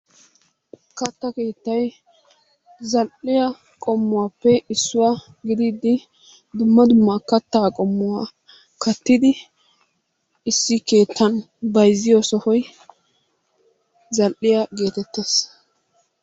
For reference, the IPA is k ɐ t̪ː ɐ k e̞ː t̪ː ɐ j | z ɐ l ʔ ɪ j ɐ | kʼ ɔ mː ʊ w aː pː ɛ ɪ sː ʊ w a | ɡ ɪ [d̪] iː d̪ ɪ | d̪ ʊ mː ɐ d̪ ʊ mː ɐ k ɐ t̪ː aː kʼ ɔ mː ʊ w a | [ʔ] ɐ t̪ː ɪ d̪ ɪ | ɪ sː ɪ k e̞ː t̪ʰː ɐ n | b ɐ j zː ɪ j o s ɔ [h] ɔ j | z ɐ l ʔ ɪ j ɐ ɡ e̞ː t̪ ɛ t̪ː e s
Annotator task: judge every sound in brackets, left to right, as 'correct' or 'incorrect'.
correct, incorrect, correct

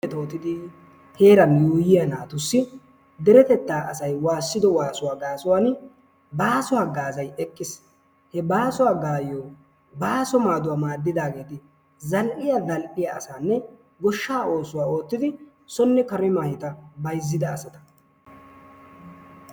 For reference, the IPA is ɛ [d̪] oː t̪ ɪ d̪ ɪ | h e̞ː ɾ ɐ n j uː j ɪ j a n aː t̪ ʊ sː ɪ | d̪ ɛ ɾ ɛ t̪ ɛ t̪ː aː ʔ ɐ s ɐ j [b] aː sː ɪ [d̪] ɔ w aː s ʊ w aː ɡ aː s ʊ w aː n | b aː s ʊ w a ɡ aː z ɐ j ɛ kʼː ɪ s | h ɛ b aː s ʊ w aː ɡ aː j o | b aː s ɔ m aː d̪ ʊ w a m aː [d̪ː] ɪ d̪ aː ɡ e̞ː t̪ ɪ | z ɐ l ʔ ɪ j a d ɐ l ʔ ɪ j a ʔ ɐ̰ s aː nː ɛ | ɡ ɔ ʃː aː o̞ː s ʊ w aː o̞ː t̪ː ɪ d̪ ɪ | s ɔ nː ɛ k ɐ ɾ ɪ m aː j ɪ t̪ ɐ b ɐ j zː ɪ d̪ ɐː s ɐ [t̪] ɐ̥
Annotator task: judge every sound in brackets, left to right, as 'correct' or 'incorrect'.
incorrect, incorrect, correct, correct, correct

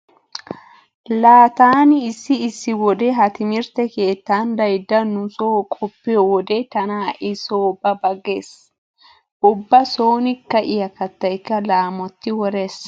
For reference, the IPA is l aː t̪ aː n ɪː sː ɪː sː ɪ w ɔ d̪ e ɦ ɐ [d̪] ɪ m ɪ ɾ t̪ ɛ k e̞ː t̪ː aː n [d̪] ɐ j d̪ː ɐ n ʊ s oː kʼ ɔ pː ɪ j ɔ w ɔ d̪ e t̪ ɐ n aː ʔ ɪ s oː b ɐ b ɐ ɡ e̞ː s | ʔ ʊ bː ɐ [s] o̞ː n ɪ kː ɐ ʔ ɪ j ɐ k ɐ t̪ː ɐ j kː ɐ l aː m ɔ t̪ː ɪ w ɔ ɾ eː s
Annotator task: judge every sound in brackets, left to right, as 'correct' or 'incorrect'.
incorrect, correct, correct

